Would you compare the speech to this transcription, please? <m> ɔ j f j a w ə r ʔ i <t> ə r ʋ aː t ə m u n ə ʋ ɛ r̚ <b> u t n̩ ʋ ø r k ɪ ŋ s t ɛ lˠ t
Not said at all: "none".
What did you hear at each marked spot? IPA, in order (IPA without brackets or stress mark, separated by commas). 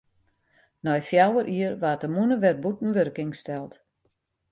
n, none, b